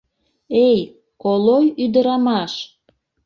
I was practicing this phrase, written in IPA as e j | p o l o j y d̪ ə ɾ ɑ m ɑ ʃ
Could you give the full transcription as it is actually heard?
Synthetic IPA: e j | k o l o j y d̪ ə ɾ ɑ m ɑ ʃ